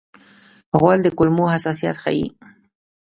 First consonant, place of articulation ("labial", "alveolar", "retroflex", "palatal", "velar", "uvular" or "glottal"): velar